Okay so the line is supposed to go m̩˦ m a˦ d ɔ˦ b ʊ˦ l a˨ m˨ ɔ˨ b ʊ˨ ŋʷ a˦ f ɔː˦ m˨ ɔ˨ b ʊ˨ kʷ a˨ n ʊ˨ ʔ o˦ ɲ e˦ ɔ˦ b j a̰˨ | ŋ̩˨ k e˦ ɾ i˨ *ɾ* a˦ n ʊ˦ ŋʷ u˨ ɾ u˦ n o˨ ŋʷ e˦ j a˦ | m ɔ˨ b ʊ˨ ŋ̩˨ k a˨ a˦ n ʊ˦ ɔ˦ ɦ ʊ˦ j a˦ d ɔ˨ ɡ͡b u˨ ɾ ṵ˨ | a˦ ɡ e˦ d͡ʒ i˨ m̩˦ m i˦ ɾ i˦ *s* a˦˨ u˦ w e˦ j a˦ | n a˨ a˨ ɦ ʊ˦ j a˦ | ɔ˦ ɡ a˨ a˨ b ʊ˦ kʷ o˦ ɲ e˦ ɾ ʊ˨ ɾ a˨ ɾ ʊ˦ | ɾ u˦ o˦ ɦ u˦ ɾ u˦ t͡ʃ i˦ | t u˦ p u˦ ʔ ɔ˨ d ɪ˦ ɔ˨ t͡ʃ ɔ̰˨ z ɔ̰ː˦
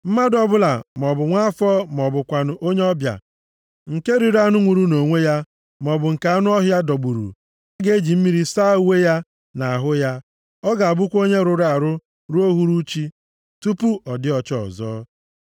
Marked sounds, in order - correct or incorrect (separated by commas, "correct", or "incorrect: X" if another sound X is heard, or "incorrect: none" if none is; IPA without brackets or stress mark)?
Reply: correct, correct